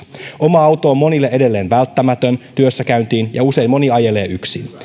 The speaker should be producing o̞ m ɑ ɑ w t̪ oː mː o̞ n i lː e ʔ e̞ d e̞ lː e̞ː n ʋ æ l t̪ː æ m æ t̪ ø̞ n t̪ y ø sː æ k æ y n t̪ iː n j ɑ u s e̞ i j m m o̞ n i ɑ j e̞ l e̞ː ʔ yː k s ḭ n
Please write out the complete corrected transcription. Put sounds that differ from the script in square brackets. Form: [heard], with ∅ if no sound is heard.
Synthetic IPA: o̞ m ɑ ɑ w t̪ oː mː o̞ n i lː e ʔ e̞ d e̞ lː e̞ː n ʋ æ l t̪ː æ m æ t̪ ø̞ n t̪ y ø sː æ k æ y n t̪ iː n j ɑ u s e̞ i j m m o̞ n i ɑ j e̞ l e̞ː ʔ [y] k s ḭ n